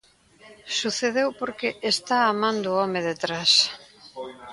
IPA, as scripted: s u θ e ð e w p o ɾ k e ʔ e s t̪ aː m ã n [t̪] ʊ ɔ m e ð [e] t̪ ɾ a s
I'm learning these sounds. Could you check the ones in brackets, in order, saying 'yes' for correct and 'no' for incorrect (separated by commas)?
no, yes